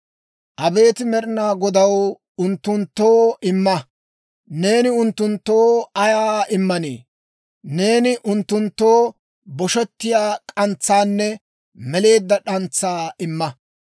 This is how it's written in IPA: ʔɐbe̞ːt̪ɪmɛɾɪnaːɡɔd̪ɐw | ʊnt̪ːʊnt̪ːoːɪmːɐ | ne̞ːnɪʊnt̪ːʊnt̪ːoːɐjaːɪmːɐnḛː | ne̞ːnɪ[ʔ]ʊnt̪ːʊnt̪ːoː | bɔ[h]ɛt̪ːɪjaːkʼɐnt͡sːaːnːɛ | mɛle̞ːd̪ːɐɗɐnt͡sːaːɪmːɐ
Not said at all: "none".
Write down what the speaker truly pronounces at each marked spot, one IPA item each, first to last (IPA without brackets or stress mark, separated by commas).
ʔ, ʃ